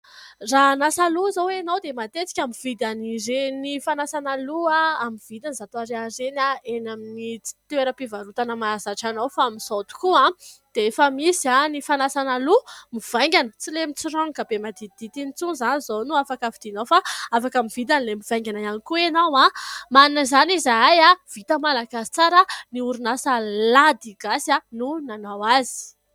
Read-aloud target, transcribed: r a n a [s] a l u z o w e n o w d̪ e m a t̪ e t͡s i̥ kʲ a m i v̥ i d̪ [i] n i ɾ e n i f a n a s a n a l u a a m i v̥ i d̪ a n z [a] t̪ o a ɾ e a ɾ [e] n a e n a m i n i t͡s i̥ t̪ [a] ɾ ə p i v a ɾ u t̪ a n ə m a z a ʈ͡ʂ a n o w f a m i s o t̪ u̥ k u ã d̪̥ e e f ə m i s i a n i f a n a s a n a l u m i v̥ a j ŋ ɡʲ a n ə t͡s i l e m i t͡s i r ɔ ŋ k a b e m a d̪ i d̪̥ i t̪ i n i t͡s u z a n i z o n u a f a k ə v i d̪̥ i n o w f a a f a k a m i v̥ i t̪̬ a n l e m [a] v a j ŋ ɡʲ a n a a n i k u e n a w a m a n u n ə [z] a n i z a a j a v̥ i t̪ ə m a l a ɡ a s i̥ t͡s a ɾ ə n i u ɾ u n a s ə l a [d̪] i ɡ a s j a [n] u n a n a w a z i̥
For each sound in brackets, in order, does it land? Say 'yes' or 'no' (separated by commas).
yes, no, yes, yes, no, no, yes, yes, yes